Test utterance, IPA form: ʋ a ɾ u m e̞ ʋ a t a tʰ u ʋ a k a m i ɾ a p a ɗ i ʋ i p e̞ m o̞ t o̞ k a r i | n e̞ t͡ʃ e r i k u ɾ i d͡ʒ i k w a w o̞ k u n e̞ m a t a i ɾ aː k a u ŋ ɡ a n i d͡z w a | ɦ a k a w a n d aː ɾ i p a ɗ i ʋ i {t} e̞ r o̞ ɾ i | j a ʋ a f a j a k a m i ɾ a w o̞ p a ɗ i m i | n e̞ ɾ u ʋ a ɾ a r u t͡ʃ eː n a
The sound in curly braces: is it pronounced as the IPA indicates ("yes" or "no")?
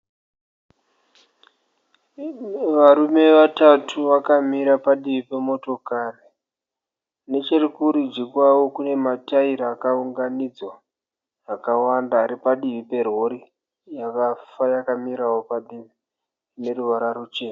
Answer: no